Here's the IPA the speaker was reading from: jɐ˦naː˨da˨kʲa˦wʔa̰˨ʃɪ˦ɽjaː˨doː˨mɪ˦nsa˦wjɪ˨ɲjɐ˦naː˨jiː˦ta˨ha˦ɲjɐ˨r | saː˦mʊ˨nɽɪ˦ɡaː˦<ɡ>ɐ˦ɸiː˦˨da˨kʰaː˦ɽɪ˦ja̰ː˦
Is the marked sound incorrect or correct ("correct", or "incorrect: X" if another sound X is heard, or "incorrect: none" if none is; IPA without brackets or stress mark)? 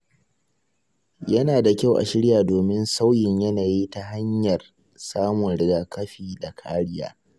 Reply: incorrect: k